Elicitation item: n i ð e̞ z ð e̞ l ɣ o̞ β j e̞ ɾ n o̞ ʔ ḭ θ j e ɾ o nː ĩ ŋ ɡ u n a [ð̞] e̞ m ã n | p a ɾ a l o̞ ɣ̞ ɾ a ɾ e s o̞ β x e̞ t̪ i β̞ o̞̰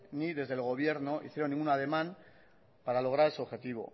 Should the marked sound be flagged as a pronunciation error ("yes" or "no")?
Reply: no